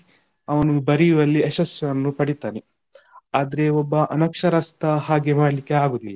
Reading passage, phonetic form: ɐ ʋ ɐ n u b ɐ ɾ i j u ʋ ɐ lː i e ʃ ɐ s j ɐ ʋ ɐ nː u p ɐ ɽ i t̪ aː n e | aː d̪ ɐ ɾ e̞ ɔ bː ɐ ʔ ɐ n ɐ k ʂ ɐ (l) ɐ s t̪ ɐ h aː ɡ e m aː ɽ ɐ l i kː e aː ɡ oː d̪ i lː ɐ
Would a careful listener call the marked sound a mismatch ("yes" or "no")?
yes